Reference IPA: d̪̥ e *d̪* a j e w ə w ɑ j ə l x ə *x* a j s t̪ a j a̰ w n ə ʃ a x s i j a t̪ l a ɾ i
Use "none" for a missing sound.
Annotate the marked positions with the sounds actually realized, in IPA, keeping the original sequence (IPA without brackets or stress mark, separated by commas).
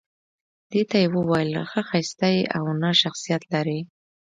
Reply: t̪, x